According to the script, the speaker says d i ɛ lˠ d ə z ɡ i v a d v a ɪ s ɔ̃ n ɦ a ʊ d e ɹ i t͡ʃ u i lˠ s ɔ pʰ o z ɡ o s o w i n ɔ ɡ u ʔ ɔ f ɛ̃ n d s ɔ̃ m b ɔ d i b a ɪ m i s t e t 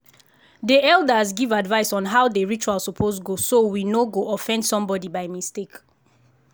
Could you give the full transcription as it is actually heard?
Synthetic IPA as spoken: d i ɛ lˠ d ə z ɡ i v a d v a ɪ s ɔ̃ n ɦ a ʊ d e ɹ i t͡ʃ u a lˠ s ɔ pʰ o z ɡ o s o w i n o ɡ o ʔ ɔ f ɛ̃ n d s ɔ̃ m b ɔ d i b a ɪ m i s t e k